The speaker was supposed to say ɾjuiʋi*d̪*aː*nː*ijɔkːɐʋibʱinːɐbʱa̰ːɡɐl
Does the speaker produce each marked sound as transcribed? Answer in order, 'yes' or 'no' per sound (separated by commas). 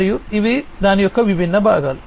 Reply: yes, no